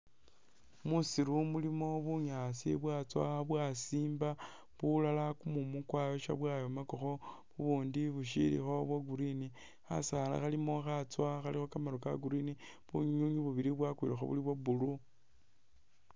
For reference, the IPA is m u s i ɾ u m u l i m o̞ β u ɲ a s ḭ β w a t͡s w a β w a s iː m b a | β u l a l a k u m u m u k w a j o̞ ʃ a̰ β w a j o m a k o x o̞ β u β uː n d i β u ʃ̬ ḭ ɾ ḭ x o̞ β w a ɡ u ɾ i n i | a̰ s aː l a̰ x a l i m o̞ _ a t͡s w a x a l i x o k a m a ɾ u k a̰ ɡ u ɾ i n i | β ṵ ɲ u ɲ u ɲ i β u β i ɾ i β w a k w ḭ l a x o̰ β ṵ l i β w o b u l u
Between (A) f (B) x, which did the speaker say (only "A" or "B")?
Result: B